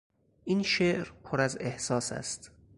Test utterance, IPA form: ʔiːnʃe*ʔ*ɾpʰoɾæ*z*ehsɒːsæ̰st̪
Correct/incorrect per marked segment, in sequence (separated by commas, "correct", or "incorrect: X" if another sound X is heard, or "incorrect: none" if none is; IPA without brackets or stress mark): correct, correct